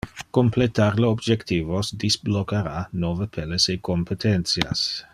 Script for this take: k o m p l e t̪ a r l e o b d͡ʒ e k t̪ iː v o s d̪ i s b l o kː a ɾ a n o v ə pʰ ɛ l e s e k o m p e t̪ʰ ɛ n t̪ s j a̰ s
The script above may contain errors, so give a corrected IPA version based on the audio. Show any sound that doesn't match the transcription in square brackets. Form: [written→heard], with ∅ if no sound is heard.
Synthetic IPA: k o m p l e t̪ a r l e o b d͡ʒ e k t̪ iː v o s d̪ i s b l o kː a ɾ a n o v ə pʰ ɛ l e s e k o m p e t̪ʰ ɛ n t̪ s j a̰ s